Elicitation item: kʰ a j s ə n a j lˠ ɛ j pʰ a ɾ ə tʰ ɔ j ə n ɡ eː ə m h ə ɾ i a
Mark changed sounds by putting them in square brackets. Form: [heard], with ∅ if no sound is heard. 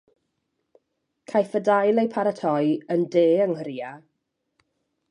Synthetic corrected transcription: kʰ a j [f] ə [d] a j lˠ [e] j pʰ a ɾ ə tʰ ɔ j ə n [d] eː ə [ŋ] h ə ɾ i a